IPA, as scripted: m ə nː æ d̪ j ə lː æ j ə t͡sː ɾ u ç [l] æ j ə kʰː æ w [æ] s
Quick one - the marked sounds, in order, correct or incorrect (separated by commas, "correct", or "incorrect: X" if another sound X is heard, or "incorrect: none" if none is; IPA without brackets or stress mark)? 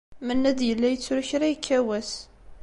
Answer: incorrect: ɾ, correct